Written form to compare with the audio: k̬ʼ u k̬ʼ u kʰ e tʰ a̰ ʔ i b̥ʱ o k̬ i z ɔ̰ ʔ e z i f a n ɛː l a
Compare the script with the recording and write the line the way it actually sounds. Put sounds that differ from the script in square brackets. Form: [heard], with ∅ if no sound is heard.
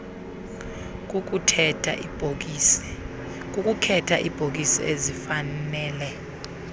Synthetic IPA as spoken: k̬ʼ u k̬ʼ u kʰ [ɛ] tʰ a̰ ʔ i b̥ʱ o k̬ i [s] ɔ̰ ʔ e z i f a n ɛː l [ɛ]